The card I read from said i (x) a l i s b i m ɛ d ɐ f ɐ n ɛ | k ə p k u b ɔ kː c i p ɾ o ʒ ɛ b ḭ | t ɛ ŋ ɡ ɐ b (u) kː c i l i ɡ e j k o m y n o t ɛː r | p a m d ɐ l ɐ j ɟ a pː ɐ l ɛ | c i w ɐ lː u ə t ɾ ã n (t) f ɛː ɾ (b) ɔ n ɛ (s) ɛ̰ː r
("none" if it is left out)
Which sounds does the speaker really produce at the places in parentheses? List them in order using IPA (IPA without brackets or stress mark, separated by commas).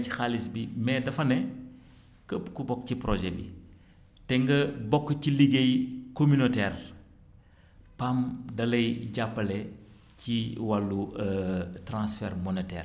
x, ɔ, s, m, t